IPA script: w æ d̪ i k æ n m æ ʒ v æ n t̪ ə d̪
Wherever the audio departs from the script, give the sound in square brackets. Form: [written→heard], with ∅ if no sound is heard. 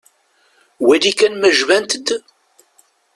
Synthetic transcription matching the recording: w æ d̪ i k æ n m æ ʒ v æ n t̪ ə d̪